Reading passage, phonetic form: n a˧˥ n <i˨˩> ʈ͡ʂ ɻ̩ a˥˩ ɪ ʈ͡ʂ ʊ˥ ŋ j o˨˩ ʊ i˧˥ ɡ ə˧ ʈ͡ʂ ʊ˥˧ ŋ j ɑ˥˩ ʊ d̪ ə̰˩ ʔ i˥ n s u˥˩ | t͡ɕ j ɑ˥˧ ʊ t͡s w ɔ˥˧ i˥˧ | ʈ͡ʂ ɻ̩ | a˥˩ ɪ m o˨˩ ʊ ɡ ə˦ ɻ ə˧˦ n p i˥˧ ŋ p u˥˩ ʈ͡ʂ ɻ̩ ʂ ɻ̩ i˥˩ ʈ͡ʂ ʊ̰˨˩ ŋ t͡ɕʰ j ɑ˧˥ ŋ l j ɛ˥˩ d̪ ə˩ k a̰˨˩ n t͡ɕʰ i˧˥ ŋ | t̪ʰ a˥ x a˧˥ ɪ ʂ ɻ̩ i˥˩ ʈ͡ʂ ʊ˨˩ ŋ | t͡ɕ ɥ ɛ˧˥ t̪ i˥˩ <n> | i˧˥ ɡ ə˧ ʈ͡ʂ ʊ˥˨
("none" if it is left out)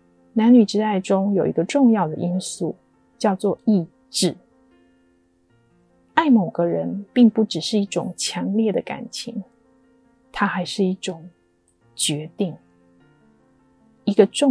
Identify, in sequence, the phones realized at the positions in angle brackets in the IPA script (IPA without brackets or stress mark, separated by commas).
y˨˩, ŋ